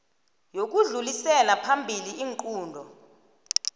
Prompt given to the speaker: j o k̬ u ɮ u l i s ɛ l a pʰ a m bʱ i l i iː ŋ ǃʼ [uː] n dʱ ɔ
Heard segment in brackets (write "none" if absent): uː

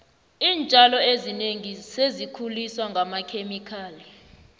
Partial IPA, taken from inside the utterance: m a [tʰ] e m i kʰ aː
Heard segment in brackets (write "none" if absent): kʰ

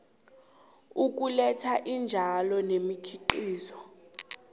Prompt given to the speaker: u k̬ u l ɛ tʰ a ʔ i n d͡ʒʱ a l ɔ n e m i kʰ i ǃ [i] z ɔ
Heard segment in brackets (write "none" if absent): iː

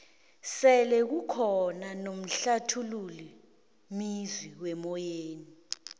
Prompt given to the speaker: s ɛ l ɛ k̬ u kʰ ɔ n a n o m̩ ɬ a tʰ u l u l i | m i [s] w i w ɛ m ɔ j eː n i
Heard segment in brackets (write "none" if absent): z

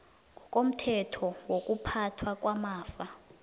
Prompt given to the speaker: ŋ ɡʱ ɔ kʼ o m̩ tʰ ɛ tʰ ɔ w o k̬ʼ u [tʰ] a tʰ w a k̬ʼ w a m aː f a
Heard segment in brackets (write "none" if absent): pʰ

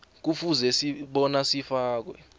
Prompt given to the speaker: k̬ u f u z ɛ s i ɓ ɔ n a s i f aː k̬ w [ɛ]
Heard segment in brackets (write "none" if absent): ɛ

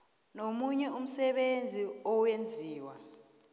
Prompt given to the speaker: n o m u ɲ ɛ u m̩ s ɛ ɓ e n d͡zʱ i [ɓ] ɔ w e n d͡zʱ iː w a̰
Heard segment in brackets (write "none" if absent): none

